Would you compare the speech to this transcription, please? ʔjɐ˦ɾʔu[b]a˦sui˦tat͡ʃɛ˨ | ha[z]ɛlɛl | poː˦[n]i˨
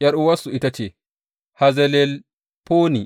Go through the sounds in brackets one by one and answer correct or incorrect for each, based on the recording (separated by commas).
incorrect, correct, correct